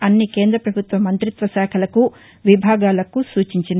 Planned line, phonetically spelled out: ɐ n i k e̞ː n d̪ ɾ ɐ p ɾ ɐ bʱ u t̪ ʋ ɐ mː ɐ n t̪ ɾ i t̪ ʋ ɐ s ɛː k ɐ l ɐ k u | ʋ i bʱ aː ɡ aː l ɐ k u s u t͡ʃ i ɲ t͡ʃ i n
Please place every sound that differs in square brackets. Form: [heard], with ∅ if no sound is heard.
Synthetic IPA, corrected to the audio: ɐ [nː] i k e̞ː n d̪ ɾ ɐ p ɾ ɐ bʱ u t̪ ʋ ɐ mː ɐ n t̪ ɾ i t̪ ʋ ɐ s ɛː [kʰ] ɐ l ɐ k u | ʋ i bʱ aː ɡ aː l ɐ k u s [uː] t͡ʃ i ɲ t͡ʃ i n